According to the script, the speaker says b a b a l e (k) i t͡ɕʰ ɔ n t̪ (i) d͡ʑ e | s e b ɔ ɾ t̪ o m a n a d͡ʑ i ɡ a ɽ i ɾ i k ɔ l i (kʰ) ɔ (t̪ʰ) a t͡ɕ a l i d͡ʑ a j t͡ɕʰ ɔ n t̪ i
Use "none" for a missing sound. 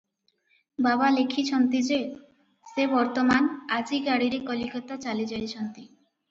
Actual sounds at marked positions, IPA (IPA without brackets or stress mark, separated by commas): kʰ, i, k, t̪